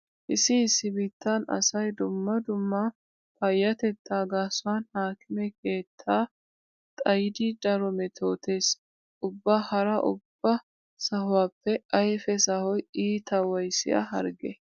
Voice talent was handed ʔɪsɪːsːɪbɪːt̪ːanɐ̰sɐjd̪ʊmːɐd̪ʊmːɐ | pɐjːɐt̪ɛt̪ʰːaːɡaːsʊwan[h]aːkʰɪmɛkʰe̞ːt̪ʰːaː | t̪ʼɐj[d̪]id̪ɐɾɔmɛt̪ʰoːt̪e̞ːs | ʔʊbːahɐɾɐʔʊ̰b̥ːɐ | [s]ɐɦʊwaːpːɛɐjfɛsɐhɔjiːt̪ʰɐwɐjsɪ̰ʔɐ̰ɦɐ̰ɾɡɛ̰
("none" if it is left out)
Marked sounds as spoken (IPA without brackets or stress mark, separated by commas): h, d̪, s